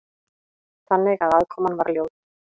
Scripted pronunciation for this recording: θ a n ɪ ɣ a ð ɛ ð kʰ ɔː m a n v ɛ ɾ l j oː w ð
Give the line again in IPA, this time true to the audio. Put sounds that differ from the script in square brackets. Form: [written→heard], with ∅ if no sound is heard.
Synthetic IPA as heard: θ a [n→nː] ɪ ɣ a ð [ɛ→a] ð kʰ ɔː m a n v [ɛ→a] ɾ l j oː w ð

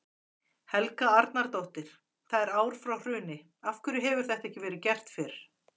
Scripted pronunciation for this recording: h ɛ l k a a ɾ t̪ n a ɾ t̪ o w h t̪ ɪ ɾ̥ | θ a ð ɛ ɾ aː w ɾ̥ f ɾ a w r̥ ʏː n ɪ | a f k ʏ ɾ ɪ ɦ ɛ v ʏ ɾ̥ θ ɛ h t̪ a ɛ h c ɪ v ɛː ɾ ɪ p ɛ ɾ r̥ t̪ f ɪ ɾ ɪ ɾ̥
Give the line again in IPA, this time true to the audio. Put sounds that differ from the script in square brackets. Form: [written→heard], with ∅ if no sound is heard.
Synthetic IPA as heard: h ɛ l k a a ɾ t̪ n a ɾ t̪ o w h t̪ ɪ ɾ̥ | θ a ð ɛ ɾ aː w ɾ̥ f ɾ a w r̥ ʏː n ɪ | a f k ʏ ɾ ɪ ɦ ɛ v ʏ ɾ̥ θ ɛ h t̪ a ɛ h c ɪ v ɛː ɾ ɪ [p→c] ɛ [ɾ→∅] r̥ t̪ f ɪ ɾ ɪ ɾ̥

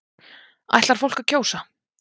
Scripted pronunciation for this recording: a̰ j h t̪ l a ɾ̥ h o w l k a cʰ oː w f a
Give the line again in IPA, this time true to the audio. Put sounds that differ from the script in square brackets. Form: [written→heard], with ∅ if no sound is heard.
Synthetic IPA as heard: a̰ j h t̪ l a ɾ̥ [h→f] o w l k a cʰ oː w [f→s] a

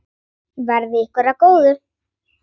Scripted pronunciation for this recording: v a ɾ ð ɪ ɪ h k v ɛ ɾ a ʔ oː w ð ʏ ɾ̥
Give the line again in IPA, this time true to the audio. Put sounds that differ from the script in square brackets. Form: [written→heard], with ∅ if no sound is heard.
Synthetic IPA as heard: v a ɾ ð ɪ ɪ h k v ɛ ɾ a [ʔ→k] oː w ð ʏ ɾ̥

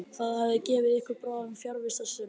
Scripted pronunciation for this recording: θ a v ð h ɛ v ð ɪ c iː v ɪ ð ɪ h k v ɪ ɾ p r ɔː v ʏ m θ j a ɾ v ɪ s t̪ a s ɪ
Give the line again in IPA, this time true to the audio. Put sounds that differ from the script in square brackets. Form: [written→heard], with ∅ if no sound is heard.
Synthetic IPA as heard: θ a [v→∅] ð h [ɛ→a] v ð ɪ c [iː→ɛː] v ɪ ð ɪ h k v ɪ ɾ p [r→ɾ] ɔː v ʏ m [θ→f] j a ɾ v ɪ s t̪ a s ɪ

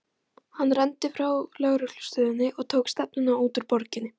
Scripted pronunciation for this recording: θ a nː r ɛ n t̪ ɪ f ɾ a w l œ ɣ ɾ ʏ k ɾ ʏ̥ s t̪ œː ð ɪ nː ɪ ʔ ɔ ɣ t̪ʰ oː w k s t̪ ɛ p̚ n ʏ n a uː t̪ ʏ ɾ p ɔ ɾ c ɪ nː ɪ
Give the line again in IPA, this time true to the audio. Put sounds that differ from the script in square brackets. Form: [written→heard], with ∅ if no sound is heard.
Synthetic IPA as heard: [θ→h] a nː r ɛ n t̪ ɪ f ɾ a w l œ ɣ ɾ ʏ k [ɾ→l] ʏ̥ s t̪ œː ð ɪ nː ɪ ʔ ɔ ɣ t̪ʰ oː w k s t̪ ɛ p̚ n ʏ n a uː t̪ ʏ ɾ p ɔ ɾ c ɪ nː ɪ

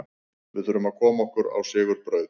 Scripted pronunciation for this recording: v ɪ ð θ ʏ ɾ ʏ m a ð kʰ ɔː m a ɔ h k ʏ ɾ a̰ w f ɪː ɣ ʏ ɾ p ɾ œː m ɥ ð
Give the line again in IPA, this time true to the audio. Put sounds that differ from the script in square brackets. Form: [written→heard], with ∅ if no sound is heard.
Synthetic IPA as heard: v ɪ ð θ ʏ ɾ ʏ m a ð kʰ ɔː m a ɔ h k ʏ ɾ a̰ w [f→s] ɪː ɣ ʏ ɾ p ɾ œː [m→∅] ɥ ð

